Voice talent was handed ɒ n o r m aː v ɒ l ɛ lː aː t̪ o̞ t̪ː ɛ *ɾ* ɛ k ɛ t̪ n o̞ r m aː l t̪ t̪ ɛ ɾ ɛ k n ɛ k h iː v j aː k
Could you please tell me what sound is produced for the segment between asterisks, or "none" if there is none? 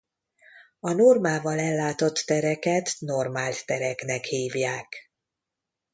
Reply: ɾ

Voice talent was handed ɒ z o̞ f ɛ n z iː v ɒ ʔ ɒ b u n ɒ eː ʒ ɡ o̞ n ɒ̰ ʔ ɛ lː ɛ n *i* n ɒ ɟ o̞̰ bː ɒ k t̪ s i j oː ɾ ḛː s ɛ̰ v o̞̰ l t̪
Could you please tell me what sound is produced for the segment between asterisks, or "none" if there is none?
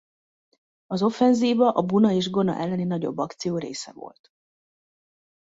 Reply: i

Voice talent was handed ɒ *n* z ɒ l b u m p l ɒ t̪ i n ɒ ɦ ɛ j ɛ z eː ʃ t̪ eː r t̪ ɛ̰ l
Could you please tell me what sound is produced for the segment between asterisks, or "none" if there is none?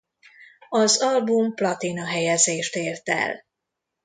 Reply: none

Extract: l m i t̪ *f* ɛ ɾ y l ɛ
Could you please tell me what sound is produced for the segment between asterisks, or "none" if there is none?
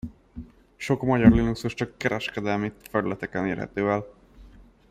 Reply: f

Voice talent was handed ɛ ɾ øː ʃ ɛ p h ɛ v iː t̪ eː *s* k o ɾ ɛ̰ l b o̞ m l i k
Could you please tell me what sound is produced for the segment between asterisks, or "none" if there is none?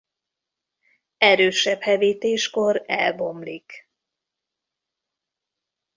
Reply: ʃ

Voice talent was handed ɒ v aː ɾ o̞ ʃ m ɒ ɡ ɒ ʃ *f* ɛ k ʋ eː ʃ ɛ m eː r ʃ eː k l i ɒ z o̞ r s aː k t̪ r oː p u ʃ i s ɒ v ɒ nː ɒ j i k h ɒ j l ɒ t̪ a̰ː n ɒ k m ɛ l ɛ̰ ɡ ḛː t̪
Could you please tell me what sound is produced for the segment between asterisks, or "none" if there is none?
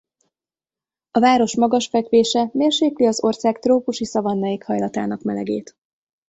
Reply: f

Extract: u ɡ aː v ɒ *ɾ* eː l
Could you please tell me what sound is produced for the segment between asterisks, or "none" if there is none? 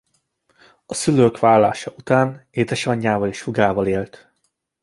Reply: l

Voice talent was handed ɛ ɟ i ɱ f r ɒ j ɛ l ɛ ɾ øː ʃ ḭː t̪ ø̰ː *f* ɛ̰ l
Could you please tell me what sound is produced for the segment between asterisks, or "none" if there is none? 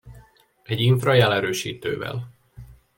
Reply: v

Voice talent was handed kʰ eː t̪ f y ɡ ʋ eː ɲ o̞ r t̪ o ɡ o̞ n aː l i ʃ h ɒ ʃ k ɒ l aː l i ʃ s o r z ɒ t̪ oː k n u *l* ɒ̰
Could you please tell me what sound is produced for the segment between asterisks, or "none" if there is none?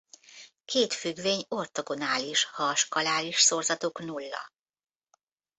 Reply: lː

